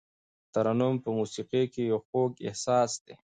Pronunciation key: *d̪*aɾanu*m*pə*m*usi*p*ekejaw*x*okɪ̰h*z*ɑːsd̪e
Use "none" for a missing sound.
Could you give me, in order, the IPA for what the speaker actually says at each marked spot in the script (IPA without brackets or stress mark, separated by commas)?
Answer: t̪, m, m, q, x, s